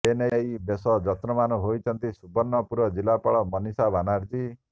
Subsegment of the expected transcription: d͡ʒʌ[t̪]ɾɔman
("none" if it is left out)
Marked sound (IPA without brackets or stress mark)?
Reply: t̪